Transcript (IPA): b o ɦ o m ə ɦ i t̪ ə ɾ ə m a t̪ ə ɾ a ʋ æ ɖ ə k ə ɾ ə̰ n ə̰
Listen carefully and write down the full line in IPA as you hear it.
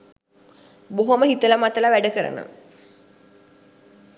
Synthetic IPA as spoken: b o ɦ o m ə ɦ i t̪ ə l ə m a t̪ ə l a ʋ æ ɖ ə k ə ɾ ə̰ n ə̰